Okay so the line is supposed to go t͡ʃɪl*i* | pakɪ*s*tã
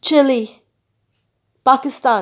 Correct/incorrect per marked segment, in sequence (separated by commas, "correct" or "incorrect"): correct, correct